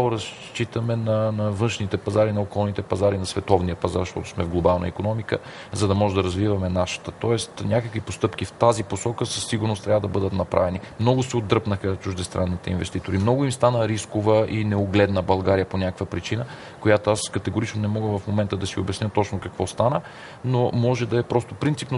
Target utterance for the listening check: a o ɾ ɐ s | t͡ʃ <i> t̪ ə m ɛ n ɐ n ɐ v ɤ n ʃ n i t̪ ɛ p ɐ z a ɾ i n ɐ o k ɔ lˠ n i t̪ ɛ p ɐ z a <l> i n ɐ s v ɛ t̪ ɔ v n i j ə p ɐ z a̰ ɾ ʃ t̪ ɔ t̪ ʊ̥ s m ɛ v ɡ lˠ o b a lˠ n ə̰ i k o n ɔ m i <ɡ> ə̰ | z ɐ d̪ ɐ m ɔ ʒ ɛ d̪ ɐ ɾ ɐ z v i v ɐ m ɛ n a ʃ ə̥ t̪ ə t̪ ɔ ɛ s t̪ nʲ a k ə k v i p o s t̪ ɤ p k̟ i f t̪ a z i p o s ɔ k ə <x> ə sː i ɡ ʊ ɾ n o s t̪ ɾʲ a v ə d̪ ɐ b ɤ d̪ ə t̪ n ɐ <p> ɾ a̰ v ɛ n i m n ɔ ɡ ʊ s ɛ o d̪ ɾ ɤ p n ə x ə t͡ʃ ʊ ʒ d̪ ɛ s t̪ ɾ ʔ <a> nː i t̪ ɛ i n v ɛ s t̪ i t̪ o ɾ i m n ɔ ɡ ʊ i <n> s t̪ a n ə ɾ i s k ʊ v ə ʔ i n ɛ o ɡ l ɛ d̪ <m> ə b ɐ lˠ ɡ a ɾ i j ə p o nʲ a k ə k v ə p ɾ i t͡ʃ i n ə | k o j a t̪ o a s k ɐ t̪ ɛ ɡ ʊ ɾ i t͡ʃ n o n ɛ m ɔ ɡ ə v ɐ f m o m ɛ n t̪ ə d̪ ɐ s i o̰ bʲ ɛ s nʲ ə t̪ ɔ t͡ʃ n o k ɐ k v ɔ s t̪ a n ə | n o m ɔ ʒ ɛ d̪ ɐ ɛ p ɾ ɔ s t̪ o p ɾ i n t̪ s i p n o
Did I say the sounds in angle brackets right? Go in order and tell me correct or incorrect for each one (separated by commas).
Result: correct, incorrect, incorrect, incorrect, correct, correct, incorrect, incorrect